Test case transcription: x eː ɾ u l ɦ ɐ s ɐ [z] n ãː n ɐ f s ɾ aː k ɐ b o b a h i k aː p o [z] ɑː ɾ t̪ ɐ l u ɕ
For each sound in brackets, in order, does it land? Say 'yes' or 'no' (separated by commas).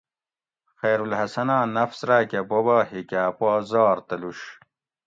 no, yes